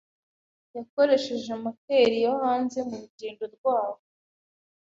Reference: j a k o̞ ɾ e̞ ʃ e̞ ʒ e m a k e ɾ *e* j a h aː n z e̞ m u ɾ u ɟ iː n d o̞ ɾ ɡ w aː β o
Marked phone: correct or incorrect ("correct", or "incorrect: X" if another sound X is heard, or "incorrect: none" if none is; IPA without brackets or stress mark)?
incorrect: i